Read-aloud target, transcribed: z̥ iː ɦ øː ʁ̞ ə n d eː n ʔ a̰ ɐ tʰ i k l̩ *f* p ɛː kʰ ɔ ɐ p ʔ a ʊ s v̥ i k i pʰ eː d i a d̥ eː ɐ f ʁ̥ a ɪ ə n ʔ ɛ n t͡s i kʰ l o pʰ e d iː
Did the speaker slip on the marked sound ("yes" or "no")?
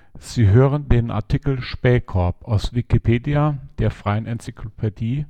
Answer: yes